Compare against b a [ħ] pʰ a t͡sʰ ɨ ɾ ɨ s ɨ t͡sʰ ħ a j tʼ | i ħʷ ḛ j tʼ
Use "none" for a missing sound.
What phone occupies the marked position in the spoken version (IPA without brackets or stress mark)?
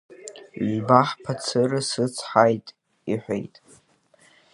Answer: ħ